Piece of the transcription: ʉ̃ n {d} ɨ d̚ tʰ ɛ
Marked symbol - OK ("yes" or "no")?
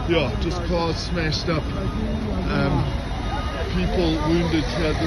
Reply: yes